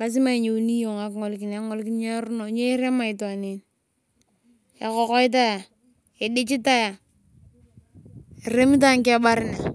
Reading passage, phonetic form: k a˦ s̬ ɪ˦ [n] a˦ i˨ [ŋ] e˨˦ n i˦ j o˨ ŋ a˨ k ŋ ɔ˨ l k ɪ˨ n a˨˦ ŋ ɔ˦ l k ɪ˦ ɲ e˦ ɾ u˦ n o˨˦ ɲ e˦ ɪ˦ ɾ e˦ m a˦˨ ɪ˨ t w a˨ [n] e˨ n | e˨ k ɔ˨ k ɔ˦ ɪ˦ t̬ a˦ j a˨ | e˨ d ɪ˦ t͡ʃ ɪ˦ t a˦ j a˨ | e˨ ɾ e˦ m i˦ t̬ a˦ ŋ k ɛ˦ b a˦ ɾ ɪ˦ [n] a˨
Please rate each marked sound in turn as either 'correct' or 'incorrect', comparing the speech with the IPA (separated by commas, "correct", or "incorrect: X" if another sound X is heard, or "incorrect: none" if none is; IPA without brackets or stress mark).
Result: incorrect: m, incorrect: ɲ, correct, correct